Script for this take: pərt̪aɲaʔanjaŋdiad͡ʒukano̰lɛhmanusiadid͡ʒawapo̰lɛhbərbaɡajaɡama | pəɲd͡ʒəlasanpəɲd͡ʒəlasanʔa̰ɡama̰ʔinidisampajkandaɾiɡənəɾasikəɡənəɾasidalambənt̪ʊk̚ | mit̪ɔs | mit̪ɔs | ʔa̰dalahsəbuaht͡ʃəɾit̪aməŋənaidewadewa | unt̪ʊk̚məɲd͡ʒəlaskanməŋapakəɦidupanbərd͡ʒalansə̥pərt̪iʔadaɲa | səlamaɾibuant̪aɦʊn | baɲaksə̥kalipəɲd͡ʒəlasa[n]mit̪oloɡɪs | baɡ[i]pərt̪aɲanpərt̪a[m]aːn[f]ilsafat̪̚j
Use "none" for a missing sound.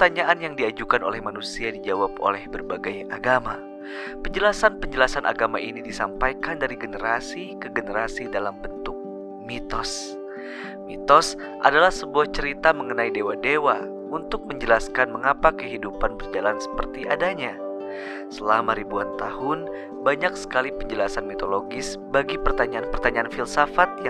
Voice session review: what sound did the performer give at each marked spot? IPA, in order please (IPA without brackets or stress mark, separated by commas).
n, i, ɲ, f